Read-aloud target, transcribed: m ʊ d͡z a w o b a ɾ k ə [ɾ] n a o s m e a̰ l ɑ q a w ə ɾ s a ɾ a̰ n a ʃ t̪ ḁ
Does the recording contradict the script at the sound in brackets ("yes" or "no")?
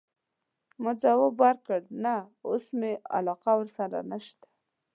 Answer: yes